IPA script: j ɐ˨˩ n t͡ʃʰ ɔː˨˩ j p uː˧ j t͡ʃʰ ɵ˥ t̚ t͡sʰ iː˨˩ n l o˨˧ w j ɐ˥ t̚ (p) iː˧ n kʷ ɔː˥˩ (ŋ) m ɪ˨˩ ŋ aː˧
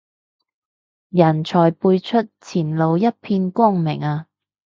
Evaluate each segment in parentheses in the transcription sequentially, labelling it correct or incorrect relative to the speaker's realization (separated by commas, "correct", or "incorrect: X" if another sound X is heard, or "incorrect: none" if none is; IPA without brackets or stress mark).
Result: incorrect: pʰ, correct